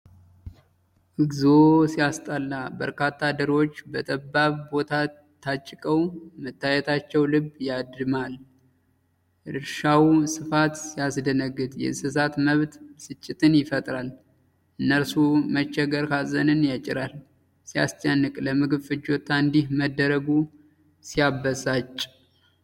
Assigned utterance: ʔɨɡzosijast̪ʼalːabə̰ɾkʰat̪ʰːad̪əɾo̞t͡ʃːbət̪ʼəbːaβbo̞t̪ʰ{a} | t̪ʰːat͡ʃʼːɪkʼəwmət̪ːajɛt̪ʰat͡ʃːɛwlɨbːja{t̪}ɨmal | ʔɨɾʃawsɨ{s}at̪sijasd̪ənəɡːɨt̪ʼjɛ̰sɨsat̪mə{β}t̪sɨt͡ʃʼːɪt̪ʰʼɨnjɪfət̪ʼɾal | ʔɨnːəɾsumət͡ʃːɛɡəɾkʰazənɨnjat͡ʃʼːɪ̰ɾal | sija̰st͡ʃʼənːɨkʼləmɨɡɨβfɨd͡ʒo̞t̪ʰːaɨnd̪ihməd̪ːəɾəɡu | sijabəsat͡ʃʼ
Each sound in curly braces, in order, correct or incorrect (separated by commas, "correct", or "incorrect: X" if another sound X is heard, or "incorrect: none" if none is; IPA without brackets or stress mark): correct, incorrect: d̪, incorrect: f, correct